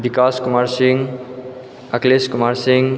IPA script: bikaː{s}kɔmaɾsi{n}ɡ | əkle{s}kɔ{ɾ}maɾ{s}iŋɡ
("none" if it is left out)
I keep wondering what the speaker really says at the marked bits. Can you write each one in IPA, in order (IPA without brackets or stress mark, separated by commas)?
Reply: s, ŋ, s, none, s